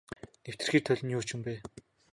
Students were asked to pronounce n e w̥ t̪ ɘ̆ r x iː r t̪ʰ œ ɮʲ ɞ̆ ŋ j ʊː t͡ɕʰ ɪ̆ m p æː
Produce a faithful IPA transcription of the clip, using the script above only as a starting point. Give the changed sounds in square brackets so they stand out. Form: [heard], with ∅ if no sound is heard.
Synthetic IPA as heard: n e w̥ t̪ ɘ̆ r x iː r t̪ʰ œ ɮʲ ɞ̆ [n] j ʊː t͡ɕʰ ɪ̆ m p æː